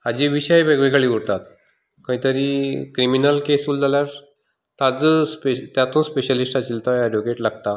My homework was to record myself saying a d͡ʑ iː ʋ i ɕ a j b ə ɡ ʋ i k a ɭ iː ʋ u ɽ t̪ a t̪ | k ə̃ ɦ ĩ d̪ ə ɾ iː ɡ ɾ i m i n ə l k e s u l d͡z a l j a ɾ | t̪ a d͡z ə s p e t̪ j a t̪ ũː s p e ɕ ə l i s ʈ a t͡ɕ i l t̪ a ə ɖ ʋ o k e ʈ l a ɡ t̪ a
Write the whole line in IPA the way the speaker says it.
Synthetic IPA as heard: a d͡ʑ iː ʋ i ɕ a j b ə ɡ ʋ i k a ɭ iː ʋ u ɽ t̪ a t̪ | k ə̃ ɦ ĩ t̪ ə ɾ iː k ɾ i m i n ə l k e s u l d͡z a l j a ɾ | t̪ a d͡z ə s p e t̪ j a t̪ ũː s p e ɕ ə l i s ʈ a t͡ɕ i l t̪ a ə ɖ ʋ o k e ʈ l a ɡ t̪ a

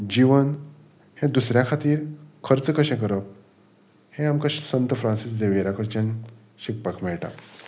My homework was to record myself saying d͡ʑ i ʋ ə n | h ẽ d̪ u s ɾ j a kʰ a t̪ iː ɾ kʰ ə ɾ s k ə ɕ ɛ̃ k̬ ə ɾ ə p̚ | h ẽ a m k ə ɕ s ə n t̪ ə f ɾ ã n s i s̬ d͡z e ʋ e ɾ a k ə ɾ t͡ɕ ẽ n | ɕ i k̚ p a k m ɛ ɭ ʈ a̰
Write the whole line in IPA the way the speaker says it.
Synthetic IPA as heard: d͡ʑ i ʋ ə n | h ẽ d̪ u s ɾ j a kʰ a t̪ iː ɾ kʰ ə ɾ t͡s k ə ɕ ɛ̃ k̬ ə ɾ ə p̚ | h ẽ a m k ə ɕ s ə n t̪ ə f ɾ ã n s i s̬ d͡z e ʋ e ɾ a k ə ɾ t͡ɕ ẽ n | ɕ i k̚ p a k m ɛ ɭ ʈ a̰

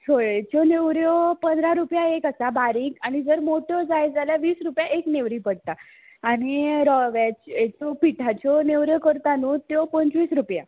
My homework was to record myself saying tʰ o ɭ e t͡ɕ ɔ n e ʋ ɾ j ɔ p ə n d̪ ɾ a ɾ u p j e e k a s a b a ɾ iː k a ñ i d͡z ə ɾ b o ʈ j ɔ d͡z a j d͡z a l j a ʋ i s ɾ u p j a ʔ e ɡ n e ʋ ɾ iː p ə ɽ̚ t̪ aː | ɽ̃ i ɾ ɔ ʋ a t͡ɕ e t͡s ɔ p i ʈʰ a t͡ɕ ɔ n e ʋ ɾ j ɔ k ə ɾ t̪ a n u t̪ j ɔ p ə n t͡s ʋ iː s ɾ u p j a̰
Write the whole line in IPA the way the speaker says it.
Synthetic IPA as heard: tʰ o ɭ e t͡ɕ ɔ n e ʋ ɾ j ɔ p ə n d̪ ɾ a ɾ u p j a e k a s a b a ɾ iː k a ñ i d͡z ə ɾ m o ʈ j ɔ d͡z a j d͡z a l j a ʋ iː s ɾ u p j a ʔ e k n e ʋ ɾ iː p ə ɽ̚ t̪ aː | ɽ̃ i ɾ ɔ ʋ a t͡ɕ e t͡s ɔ p i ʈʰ a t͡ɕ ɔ n e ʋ ɾ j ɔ k ə ɾ t̪ a n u t̪ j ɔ p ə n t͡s ʋ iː s ɾ u p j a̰

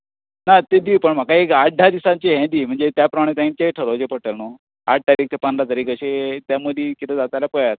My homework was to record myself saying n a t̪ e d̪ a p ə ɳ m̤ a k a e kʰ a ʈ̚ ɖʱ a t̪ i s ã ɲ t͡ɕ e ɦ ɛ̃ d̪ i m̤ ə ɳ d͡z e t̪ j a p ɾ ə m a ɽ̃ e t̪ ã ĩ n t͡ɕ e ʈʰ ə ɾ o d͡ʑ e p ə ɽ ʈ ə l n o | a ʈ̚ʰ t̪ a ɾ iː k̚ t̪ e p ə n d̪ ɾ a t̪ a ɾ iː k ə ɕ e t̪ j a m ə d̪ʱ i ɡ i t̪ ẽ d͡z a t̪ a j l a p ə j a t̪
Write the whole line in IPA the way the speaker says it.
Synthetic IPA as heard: n a t̪ e d̪ i p ə ɳ m̤ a k a e k a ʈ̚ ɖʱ a d̪ i s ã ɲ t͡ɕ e ɦ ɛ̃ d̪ i m̤ ə ɳ d͡z e t̪ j a p ɾ ə m a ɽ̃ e t̪ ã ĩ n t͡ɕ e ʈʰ ə ɾ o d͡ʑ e p ə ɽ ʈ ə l n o | a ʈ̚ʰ t̪ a ɾ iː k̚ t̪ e p ə n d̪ ɾ a t̪ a ɾ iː k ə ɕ e t̪ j a m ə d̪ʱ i k i t̪ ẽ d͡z a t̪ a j l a p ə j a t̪

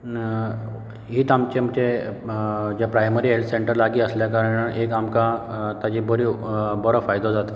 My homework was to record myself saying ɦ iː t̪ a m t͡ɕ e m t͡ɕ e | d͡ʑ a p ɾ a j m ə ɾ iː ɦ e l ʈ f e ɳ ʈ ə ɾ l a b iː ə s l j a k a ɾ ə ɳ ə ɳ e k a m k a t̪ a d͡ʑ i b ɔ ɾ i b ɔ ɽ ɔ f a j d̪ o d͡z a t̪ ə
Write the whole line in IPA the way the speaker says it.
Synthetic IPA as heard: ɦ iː t̪ a m t͡ɕ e m t͡ɕ e | d͡ʑ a p ɾ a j m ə ɾ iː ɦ e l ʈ s e ɳ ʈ ə ɾ l a ɡ iː ə s l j a k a ɾ ə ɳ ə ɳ e k a m k a t̪ a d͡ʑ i b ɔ ɾ i b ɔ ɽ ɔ f a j d̪ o d͡z a t̪ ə

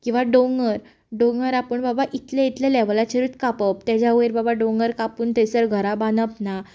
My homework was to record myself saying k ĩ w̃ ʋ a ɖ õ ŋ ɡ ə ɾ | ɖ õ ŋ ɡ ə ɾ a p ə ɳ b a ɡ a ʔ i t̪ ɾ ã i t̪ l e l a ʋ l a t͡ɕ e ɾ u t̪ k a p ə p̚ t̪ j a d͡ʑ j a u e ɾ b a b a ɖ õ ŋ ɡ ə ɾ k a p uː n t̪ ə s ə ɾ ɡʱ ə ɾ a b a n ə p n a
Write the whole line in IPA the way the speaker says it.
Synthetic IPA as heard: k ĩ w̃ ʋ a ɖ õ ŋ ɡ ə ɾ | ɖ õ ŋ ɡ ə ɾ a p ə ɳ b a b a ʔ i t̪ l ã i t̪ l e l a ʋ l a t͡ɕ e ɾ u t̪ k a p ə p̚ t̪ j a d͡ʑ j a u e ɾ b a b a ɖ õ ŋ ɡ ə ɾ k a p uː n t̪ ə s ə ɾ ɡʱ ə ɾ a b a n ə p n a

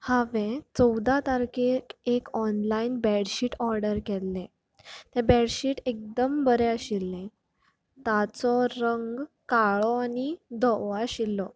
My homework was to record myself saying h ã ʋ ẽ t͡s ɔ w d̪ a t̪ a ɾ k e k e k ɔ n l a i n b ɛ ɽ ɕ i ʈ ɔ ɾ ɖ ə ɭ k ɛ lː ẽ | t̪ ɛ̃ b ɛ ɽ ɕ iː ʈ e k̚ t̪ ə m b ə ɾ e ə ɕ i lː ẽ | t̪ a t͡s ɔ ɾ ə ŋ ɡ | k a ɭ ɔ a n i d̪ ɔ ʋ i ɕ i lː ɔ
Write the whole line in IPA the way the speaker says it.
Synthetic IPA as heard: h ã ʋ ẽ t͡s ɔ w d̪ a t̪ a ɾ k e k e k ɔ n l a i n b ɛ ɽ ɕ i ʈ ɔ ɾ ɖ ə ɾ k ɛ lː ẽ | t̪ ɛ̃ b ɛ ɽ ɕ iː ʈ e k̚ d̪ ə m b ə ɾ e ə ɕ i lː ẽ | t̪ a t͡s ɔ ɾ ə ŋ ɡ | k a ɭ ɔ a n i d̪ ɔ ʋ a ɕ i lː ɔ

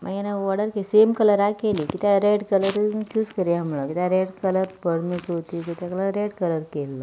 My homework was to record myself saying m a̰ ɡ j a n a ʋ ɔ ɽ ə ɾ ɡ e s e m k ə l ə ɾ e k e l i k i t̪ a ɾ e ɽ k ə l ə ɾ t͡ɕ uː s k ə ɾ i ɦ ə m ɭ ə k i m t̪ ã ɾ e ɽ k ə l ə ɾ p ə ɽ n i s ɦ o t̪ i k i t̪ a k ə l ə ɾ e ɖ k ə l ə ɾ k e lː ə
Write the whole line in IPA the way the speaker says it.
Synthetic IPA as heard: m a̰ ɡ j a n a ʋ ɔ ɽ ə ɾ k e s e m k ə l ə ɾ a k e l i k i t̪ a ɾ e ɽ k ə l ə ɾ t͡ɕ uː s k ə ɾ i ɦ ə m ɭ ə k i t̪ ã ɾ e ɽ k ə l ə ɾ p ə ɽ m i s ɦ o t̪ i k i t̪ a k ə l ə ɾ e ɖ k ə l ə ɾ k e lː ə

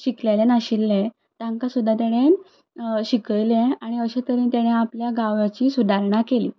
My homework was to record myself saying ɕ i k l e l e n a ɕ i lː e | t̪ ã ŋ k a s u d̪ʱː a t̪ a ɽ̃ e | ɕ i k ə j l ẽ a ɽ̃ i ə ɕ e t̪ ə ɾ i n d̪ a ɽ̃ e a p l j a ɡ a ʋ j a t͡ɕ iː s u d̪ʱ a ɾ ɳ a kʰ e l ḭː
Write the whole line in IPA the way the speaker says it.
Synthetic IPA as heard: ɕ i k l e l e n a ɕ i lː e | t̪ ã ŋ k a s u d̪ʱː a t̪ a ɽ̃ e | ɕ i k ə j l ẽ a ɽ̃ i ə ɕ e t̪ ə ɾ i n t̪ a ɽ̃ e a p l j a ɡ a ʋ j a t͡ɕ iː s u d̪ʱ a ɾ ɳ a k e l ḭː

